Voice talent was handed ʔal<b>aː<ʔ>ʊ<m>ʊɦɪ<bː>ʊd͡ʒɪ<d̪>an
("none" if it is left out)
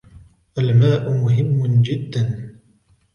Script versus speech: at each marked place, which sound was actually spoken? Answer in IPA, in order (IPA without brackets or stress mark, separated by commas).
m, ʔ, m, mː, d̪ː